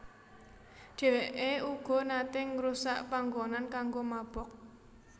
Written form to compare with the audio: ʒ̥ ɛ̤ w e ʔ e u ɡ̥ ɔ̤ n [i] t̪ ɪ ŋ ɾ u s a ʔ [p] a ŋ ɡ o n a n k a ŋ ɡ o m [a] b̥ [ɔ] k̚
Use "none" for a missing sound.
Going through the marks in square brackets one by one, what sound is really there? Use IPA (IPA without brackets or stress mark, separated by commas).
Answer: a, p, a, ɔ